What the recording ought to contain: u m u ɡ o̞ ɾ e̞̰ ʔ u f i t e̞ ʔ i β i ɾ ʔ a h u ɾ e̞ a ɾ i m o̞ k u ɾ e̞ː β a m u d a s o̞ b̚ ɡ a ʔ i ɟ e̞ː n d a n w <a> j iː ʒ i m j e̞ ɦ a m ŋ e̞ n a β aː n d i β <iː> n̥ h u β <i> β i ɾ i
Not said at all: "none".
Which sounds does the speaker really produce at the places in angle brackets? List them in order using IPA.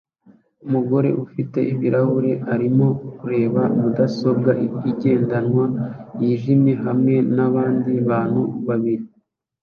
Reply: a, aː, a

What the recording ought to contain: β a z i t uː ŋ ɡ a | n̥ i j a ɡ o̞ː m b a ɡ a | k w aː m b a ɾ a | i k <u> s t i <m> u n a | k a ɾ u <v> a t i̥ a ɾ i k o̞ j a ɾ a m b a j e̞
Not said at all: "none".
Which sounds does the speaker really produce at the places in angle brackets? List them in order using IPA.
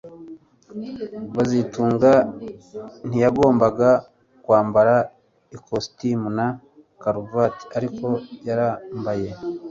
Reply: o, m, v

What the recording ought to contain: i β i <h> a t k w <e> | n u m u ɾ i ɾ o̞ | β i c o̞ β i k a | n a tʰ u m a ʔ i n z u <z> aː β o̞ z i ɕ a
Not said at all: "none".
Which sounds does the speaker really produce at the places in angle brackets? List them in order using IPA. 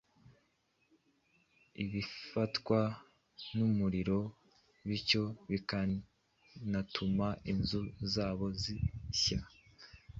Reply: f, a, z

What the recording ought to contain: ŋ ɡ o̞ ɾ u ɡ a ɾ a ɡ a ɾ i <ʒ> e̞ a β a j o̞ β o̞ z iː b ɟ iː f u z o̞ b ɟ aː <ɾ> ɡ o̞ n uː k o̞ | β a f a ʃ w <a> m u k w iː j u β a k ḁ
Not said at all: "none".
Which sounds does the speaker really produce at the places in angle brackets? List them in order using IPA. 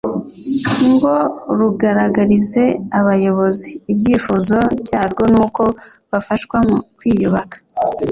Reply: z, ɾ, a

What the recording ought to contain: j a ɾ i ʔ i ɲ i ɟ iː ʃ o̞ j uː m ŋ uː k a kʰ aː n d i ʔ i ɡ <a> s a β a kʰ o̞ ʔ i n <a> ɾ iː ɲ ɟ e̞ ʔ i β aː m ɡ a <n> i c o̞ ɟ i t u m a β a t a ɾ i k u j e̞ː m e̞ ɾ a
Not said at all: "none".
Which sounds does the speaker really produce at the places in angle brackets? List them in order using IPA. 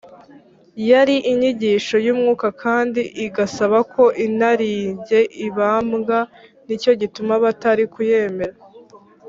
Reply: a, a, n

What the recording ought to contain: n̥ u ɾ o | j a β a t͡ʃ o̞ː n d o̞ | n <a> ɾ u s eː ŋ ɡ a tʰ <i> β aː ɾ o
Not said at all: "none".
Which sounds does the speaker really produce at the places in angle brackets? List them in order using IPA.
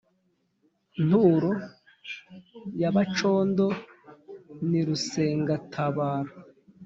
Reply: i, a

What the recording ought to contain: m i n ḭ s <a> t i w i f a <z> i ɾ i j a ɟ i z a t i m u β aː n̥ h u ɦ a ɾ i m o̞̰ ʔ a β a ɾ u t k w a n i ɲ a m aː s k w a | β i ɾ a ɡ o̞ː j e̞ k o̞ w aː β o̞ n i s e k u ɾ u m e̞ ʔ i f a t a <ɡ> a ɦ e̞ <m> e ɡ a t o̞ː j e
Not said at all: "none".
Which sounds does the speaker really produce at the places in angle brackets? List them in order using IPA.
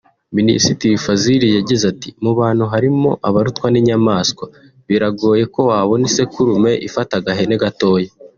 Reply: i, z, ɡ, n

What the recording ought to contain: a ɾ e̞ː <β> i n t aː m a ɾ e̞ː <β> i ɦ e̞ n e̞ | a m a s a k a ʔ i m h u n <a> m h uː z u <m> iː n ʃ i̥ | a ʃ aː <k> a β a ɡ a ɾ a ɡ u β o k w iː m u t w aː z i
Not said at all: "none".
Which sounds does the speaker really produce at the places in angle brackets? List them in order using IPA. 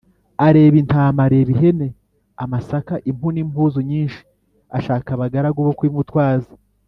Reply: β, β, i, ɲ, k

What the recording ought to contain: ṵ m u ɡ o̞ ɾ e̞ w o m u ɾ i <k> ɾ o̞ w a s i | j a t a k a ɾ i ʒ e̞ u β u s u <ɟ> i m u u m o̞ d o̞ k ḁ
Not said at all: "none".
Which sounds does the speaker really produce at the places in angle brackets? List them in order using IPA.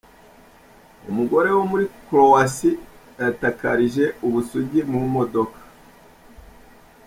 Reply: k, ɟ

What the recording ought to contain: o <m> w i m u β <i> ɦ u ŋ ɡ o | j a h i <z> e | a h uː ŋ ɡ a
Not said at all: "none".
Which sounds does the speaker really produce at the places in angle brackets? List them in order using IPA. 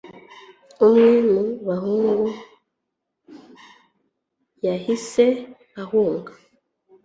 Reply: m, a, s

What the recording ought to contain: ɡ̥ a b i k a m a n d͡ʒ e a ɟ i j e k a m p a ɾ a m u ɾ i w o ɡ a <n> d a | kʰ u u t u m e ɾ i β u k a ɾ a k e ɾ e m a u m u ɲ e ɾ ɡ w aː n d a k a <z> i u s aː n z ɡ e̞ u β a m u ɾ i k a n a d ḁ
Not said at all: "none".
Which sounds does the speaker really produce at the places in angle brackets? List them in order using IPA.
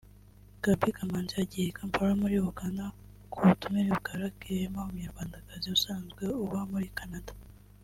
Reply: n, z

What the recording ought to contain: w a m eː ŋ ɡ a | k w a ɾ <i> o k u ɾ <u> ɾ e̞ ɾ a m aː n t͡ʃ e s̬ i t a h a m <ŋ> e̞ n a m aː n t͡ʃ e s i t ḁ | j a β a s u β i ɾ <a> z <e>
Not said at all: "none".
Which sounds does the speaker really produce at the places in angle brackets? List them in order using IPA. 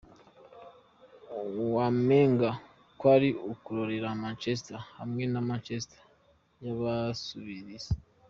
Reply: i, o, ŋ, i, e

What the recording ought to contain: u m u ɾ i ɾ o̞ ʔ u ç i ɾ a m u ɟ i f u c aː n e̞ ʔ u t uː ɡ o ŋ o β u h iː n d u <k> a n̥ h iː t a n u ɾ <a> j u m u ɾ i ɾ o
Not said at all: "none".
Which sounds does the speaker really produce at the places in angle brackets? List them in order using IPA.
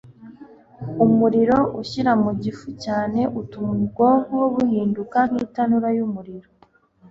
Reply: k, a

